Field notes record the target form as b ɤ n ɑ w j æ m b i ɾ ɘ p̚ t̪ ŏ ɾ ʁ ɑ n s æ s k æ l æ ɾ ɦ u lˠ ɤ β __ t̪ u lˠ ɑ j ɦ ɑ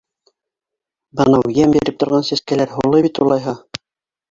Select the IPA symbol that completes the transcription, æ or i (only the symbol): i